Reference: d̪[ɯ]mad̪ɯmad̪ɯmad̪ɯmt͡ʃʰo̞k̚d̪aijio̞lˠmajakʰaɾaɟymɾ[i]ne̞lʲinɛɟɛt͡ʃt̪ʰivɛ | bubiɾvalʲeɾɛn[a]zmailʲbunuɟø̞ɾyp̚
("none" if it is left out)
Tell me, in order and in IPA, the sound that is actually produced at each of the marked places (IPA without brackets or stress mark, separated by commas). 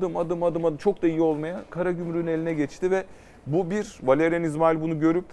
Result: ɯ, y, i